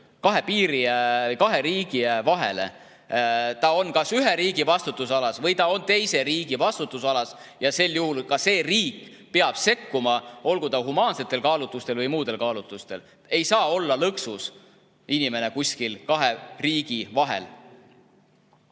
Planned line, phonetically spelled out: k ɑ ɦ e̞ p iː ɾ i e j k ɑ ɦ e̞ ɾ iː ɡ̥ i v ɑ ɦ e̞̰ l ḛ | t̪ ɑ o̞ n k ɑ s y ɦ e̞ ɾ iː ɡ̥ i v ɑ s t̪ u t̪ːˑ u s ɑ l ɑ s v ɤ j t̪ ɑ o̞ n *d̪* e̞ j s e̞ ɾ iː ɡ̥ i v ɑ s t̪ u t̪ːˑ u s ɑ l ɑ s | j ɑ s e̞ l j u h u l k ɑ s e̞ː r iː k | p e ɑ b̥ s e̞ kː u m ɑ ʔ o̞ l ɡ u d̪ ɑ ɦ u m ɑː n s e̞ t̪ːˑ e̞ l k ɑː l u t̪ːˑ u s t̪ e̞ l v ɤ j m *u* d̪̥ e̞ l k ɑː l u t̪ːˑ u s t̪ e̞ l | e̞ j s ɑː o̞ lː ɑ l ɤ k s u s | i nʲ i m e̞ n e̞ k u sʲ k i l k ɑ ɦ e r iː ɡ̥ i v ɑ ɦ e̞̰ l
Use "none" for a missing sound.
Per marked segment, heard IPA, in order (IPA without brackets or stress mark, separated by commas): t̪, uː